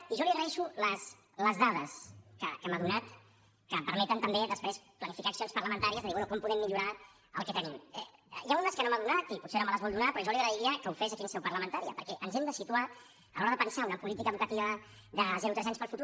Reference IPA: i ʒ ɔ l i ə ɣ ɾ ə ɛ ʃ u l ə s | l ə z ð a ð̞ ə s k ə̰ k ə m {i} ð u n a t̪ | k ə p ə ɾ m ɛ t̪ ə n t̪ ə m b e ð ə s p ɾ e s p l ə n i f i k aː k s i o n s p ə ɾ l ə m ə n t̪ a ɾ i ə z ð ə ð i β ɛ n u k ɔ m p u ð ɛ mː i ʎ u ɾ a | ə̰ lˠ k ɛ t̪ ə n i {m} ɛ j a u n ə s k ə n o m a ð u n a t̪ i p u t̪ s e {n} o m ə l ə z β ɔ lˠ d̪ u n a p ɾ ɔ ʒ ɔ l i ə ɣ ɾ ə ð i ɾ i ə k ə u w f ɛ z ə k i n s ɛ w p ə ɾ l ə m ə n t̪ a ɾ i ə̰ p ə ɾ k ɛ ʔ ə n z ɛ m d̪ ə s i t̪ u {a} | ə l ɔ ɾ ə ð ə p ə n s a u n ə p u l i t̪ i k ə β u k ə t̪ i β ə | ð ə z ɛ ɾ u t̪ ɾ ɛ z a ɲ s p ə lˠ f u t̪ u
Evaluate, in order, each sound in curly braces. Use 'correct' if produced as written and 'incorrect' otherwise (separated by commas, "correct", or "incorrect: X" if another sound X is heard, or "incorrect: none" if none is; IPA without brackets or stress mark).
incorrect: a, correct, correct, correct